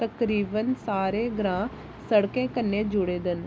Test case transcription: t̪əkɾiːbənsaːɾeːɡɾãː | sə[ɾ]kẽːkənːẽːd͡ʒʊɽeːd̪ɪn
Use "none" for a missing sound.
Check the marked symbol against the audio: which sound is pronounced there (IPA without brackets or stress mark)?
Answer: ɽ